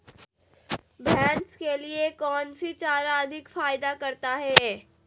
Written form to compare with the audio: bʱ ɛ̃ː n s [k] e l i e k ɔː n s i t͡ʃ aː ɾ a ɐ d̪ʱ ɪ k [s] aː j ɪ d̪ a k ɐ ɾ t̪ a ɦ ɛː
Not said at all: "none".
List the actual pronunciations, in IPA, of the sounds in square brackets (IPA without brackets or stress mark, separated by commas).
k, f